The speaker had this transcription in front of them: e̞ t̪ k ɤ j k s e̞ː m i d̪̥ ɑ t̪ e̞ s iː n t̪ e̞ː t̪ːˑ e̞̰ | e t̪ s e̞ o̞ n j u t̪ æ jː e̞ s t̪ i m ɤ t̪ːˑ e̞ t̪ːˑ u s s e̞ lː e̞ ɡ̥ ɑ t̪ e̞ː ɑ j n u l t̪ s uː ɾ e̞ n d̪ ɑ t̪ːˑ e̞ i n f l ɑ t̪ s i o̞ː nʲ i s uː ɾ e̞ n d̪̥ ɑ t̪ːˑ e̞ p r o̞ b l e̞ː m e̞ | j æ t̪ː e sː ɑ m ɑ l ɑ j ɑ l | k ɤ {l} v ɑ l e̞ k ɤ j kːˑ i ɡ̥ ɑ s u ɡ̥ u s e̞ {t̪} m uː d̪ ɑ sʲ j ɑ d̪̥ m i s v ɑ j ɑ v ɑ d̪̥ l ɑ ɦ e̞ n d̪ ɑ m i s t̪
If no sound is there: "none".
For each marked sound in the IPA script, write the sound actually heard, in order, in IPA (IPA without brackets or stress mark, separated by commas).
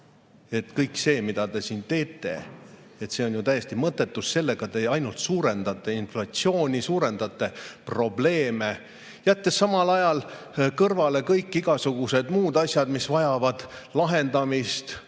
r, d̪